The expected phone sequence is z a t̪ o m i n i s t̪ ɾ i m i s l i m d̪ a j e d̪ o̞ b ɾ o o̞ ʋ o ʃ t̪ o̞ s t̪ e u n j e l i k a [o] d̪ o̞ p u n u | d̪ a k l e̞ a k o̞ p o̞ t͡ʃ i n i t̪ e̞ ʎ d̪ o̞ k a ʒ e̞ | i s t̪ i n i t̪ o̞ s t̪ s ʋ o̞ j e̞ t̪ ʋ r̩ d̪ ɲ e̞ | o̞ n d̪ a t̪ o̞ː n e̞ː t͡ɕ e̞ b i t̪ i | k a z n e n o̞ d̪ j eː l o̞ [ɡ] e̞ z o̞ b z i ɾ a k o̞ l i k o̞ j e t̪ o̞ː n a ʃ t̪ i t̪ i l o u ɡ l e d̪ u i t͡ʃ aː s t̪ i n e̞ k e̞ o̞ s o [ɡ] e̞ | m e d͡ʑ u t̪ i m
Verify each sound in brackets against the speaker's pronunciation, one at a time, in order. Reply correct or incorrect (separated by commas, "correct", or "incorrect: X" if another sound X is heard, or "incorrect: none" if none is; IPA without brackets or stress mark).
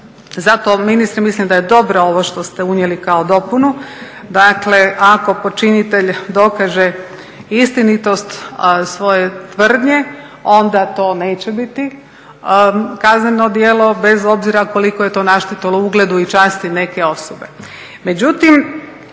correct, incorrect: b, incorrect: b